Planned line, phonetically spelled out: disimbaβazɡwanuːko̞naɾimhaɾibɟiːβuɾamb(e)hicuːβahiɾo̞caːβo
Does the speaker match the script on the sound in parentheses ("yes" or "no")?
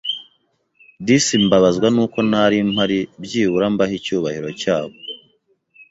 no